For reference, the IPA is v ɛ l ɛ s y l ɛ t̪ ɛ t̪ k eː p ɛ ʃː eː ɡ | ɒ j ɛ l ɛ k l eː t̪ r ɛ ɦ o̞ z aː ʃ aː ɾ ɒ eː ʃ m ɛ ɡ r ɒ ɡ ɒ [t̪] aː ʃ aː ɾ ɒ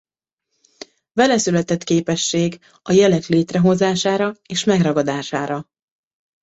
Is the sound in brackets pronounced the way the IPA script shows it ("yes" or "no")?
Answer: no